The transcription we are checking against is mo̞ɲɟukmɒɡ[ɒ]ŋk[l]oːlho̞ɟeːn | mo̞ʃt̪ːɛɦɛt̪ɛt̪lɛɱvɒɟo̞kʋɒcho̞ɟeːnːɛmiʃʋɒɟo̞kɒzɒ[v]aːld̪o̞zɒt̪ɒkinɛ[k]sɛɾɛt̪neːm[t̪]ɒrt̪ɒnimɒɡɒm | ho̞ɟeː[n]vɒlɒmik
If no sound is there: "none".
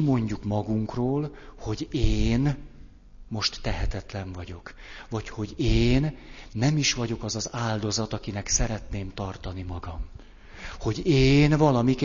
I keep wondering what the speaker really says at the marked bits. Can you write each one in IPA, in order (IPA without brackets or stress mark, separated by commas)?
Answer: u, r, z, k, t̪, n